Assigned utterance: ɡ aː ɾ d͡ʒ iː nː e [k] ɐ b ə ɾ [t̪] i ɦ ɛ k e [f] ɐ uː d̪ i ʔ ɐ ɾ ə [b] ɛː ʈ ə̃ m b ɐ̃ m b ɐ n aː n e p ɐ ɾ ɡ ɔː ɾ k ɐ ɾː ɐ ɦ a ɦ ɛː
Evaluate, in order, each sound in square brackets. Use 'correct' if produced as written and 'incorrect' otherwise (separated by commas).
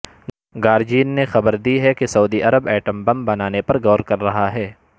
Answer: incorrect, incorrect, incorrect, correct